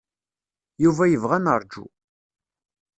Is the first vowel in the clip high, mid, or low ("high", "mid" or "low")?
high